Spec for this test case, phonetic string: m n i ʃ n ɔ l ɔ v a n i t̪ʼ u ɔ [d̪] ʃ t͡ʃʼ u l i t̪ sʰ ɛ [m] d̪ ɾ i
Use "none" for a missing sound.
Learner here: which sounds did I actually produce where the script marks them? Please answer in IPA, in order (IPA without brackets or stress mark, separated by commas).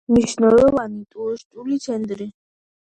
none, n